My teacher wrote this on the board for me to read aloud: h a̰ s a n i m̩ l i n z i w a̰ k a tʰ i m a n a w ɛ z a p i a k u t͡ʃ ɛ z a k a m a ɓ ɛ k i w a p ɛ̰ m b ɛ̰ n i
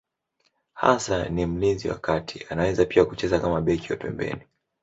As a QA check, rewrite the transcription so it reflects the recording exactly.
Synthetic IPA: h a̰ s a n i m̩ l i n z i w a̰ k a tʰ i a n a w ɛ z a p i a k u t͡ʃ ɛ z a k a m a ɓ ɛ k i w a p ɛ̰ m b ɛ̰ n i